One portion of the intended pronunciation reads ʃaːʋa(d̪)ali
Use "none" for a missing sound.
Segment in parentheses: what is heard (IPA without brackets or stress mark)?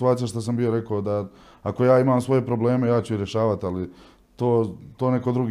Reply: t̪